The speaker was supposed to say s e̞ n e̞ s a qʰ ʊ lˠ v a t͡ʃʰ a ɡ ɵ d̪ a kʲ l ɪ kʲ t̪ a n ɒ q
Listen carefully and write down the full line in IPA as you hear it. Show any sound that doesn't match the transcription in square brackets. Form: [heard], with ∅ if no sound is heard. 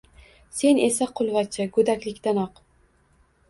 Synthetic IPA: s e̞ n e̞ s a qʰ ʊ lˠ v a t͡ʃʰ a ɡ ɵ d̪ a kʲ l ɪ kʲ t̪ a n ɒ q

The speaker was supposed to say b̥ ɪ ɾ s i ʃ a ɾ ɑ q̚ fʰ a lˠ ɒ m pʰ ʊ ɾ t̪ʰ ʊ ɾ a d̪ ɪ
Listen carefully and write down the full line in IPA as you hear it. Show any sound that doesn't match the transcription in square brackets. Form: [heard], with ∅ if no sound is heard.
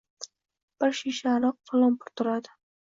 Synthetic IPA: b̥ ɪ ɾ [ʃ] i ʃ a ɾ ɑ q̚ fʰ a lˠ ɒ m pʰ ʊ ɾ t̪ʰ ʊ ɾ a d̪ ɪ

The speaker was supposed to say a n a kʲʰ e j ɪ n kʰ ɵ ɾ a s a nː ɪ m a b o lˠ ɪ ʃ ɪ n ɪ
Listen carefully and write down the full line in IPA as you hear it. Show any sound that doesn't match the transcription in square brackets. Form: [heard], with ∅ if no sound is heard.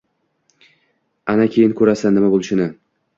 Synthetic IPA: a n a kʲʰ e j ɪ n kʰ ɵ ɾ a s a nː ɪ m a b o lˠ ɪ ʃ ɪ n ɪ

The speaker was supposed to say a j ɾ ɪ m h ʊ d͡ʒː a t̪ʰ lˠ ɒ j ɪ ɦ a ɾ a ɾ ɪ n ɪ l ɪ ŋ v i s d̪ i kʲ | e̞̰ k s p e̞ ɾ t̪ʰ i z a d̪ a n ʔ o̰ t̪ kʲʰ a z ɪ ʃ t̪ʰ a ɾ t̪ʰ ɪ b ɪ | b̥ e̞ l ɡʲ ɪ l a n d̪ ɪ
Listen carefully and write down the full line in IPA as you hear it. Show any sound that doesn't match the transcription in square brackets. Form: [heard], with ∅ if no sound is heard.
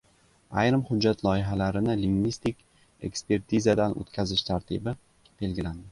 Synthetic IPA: a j ɾ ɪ m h ʊ d͡ʒː a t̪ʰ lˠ ɒ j ɪ ɦ a [l] a ɾ ɪ n ɪ l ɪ ŋ v i s [t̪] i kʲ | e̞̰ k s p e̞ ɾ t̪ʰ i z a d̪ a n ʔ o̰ t̪ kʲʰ a z ɪ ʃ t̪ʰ a ɾ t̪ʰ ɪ b ɪ | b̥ e̞ l ɡʲ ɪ l a n d̪ ɪ

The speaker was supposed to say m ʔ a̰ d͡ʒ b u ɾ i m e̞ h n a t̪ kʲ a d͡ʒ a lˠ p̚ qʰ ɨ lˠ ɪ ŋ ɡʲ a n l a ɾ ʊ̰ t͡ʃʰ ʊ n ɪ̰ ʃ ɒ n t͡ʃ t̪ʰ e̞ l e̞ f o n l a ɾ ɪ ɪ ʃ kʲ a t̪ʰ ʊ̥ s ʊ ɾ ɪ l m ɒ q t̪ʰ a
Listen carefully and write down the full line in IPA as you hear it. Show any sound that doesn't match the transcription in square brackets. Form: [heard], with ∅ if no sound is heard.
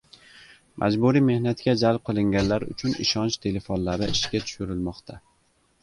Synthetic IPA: m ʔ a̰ d͡ʒ b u ɾ i m e̞ h n a t̪ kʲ a d͡ʒ a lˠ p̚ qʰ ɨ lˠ ɪ ŋ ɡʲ a n l a ɾ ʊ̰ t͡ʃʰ ʊ n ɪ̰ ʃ ɒ n t͡ʃ t̪ʰ e̞ l e̞ f o n l a ɾ ɪ ɪ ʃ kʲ a t̪ʰ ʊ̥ [ʃ] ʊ ɾ ɪ l m ɒ q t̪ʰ a

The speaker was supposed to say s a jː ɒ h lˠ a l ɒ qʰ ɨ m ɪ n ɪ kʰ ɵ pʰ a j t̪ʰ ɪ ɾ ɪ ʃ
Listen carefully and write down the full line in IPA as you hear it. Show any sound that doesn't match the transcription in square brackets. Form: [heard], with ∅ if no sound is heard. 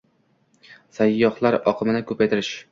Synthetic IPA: s a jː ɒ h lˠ a [ɾ] ɒ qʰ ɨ m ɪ n ɪ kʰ ɵ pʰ a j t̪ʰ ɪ ɾ ɪ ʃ

